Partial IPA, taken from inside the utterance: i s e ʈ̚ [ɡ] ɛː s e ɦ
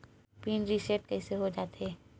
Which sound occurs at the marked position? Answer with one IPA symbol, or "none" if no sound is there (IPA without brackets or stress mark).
k